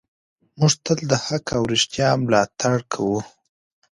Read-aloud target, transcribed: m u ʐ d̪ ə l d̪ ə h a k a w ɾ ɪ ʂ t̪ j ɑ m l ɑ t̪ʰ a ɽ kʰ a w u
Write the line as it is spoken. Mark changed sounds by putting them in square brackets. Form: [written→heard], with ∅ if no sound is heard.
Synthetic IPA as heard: m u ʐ [d̪→t̪] ə l d̪ ə h a k a w ɾ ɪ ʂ t̪ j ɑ m l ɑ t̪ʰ a ɽ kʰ a w u